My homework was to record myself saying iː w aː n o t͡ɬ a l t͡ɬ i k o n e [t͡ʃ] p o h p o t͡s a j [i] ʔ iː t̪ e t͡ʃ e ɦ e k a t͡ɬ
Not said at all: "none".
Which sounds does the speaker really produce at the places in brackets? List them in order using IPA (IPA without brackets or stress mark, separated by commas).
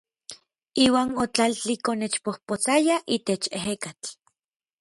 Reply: t͡ʃ, a